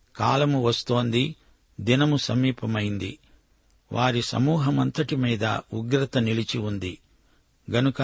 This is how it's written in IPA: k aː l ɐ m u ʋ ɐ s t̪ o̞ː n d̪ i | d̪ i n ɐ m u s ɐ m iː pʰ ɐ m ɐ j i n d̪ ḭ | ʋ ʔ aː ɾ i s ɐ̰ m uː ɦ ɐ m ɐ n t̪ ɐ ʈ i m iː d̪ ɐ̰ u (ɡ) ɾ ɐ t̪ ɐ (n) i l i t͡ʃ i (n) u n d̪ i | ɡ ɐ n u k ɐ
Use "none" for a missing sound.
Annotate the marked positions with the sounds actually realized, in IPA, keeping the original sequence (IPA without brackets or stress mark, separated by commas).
ɡ, n, none